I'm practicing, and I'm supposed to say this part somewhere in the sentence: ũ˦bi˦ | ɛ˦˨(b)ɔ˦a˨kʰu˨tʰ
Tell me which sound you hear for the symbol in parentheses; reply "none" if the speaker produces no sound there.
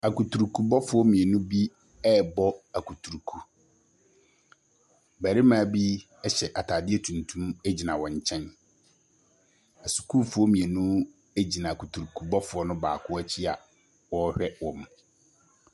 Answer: b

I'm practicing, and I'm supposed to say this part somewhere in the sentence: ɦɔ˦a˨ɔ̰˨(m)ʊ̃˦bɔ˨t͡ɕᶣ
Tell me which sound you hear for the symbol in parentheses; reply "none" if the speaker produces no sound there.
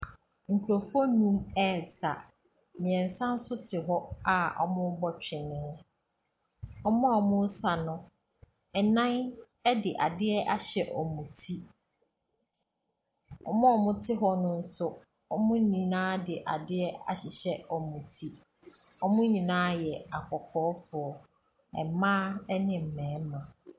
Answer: m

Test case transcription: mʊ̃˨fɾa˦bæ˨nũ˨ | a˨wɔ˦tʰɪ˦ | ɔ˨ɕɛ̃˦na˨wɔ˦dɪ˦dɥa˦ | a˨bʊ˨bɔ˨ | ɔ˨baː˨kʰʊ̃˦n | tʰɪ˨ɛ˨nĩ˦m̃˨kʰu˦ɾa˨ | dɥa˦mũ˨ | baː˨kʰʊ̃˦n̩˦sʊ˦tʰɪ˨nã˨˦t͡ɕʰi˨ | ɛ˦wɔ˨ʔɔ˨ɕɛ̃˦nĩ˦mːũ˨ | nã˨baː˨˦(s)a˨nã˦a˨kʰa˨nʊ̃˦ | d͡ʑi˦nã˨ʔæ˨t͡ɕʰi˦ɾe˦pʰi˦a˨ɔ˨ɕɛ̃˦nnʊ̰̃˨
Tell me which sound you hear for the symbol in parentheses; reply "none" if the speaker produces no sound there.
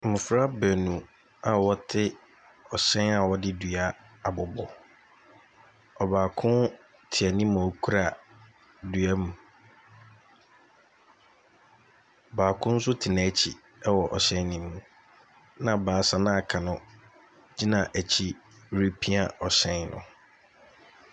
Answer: s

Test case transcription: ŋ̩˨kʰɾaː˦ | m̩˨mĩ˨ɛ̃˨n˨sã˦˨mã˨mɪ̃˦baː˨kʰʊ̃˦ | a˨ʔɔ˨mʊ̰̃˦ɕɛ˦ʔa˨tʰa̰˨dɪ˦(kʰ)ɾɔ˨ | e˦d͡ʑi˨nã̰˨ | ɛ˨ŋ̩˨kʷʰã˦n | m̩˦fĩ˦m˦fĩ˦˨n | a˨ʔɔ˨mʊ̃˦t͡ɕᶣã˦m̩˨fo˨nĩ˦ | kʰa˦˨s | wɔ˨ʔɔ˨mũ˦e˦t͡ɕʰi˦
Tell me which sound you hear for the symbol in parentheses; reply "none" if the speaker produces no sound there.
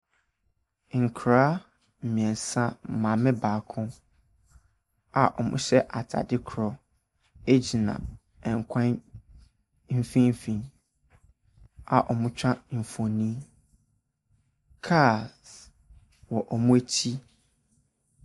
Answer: kʰ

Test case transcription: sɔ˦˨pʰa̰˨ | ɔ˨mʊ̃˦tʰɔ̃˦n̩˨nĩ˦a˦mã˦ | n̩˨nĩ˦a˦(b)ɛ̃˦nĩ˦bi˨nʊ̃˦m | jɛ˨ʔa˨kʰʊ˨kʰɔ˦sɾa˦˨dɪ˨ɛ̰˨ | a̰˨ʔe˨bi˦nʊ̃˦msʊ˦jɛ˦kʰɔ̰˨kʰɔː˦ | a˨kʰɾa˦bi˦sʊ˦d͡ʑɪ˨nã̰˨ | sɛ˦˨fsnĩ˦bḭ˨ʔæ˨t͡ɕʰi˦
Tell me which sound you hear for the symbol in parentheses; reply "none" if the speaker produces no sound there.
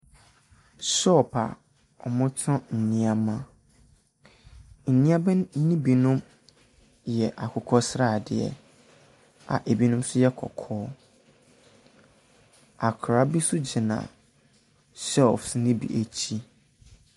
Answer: b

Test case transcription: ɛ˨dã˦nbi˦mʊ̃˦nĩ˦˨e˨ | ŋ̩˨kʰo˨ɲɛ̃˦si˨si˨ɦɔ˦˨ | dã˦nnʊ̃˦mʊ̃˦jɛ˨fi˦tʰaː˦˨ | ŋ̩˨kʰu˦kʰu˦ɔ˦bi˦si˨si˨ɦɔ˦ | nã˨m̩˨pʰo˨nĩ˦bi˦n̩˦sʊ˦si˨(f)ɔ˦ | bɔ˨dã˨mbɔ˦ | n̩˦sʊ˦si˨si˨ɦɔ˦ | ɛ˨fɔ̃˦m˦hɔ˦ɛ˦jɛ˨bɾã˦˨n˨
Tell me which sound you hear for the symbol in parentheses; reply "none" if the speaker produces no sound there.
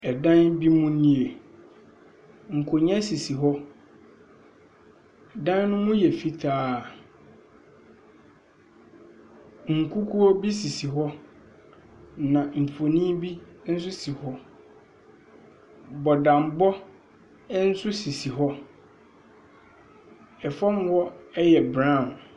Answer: h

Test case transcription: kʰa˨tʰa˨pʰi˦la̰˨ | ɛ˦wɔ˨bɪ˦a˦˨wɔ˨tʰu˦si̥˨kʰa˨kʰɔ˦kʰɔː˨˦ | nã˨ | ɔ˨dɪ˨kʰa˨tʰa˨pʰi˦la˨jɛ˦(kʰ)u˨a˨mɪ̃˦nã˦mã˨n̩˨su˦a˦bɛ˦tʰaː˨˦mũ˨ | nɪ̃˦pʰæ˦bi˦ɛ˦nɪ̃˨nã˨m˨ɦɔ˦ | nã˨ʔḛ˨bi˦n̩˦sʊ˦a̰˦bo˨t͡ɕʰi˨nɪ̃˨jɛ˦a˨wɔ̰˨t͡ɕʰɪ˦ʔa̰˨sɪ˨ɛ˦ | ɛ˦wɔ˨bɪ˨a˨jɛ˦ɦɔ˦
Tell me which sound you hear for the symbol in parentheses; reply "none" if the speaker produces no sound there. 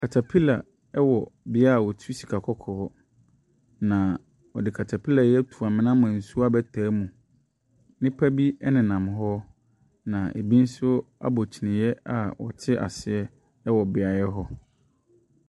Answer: tʰ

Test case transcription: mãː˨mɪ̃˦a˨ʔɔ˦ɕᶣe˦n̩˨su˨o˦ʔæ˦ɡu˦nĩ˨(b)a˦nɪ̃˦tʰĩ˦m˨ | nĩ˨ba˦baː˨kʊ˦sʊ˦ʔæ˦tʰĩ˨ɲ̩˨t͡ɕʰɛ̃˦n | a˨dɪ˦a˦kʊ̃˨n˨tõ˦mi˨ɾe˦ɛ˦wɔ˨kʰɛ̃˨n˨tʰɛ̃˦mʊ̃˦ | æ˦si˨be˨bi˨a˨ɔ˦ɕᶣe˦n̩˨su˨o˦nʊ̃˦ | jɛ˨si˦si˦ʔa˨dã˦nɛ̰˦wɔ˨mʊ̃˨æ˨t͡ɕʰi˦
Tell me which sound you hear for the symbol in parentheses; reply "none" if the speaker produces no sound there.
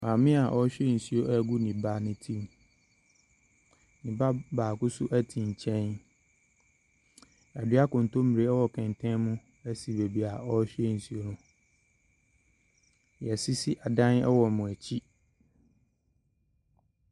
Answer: b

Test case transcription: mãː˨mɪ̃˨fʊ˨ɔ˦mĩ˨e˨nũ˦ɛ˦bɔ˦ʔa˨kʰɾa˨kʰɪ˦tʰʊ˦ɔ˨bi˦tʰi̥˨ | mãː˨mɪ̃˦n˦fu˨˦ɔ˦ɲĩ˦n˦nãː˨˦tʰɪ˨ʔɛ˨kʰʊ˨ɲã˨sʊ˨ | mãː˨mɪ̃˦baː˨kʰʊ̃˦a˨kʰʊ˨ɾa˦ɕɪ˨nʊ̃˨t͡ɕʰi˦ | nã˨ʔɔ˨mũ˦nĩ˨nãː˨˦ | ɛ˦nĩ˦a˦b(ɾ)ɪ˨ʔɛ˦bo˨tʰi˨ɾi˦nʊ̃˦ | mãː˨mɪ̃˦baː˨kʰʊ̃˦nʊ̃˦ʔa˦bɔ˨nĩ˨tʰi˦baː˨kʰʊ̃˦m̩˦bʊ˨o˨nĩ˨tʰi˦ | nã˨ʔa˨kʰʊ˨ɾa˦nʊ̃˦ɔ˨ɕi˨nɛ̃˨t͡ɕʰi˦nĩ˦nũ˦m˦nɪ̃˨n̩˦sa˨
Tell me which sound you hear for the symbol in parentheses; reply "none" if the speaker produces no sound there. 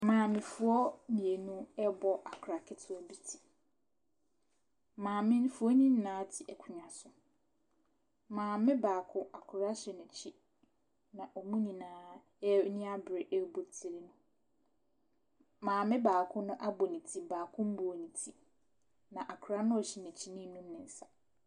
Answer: ɾ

